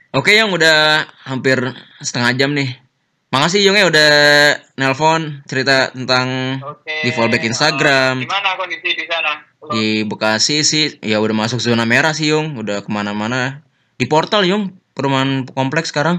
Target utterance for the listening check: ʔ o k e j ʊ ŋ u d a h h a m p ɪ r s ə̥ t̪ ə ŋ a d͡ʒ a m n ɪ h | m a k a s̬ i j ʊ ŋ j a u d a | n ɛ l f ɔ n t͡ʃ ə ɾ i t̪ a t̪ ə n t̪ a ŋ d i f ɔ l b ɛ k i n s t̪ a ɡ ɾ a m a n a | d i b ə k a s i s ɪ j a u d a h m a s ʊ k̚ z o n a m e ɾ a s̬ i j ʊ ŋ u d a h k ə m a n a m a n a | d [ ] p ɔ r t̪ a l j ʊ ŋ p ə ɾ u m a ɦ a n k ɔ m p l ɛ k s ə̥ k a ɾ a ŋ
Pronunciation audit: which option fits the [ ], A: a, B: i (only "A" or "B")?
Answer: B